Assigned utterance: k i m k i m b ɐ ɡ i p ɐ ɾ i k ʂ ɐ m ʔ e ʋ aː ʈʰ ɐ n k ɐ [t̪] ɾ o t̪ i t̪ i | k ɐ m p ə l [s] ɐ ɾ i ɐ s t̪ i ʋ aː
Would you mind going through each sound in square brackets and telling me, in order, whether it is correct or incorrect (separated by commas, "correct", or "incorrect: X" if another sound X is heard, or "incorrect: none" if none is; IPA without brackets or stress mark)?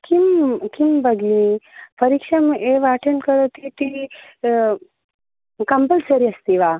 incorrect: none, correct